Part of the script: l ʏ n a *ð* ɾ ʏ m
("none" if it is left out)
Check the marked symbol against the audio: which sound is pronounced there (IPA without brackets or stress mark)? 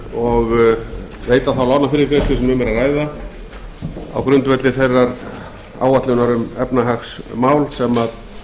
none